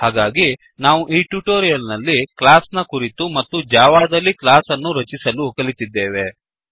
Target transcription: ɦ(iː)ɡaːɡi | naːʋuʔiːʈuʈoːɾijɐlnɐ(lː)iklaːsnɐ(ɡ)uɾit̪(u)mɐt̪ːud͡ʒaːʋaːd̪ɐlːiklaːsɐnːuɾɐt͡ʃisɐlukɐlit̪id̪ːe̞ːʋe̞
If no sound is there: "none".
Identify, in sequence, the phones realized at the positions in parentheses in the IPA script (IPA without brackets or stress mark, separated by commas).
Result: aː, lː, k, u